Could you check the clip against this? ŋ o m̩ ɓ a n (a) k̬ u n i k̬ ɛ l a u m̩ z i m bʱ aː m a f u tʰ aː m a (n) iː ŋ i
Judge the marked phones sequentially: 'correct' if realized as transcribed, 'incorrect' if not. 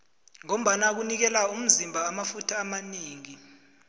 correct, correct

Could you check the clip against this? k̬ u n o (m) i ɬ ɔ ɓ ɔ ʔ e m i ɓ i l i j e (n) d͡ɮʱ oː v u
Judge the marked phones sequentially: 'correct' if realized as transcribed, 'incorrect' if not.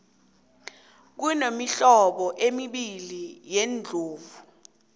correct, correct

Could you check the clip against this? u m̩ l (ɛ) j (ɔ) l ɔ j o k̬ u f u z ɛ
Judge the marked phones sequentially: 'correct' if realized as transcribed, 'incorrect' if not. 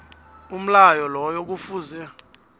incorrect: a, correct

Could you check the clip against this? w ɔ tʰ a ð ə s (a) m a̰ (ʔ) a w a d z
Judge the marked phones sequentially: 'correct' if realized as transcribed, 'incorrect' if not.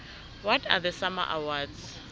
correct, correct

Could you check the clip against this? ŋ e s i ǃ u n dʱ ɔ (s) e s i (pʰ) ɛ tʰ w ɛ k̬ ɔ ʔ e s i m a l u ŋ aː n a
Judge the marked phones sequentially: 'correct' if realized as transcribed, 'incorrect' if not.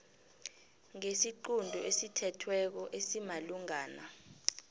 incorrect: none, incorrect: tʰ

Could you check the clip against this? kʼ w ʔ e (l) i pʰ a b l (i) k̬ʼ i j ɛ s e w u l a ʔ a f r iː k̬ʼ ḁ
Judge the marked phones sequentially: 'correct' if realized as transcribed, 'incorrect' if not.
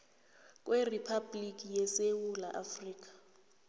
incorrect: r, correct

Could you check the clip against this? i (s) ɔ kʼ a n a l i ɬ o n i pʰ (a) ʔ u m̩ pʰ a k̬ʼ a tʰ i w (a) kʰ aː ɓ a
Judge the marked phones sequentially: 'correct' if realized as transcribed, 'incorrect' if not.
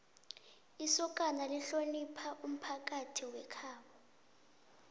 correct, correct, incorrect: ɛ

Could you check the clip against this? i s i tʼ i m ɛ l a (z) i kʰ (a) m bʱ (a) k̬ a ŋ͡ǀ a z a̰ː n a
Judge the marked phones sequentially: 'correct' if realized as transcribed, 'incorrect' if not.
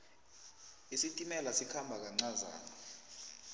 incorrect: s, correct, correct

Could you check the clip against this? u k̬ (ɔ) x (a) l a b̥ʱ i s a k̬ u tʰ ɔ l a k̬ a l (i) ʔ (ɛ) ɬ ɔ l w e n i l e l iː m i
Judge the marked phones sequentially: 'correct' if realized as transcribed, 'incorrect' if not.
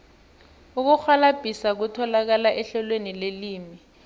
incorrect: u, correct, incorrect: a, correct

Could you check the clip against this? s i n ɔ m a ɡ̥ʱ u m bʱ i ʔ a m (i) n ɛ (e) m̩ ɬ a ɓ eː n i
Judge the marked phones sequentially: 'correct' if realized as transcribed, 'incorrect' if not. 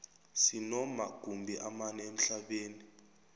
incorrect: a, correct

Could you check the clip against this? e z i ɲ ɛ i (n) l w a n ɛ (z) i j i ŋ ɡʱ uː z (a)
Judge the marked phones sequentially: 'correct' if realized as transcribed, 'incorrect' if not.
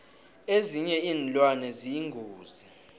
correct, correct, incorrect: i

